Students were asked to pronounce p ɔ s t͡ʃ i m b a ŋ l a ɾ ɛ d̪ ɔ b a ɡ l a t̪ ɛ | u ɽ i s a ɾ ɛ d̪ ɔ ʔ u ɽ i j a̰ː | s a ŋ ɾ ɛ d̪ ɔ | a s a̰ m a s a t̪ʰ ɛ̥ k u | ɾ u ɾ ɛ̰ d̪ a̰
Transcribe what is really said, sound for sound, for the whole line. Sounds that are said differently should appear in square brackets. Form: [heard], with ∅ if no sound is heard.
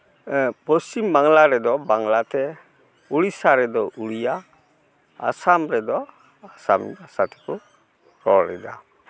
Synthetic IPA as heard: p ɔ s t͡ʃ i m b a ŋ l a ɾ ɛ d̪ ɔ b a [ŋ] l a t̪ ɛ | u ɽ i s a ɾ ɛ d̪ ɔ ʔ u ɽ i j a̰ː | s a [m] ɾ ɛ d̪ ɔ | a s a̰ m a s a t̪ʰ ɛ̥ k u | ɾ [ɔ] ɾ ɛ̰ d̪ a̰